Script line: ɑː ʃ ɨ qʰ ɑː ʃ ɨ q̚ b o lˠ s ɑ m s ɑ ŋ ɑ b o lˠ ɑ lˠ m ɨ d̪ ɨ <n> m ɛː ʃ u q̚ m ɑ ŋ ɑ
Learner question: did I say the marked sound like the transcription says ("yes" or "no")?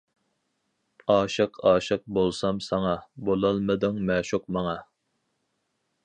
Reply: no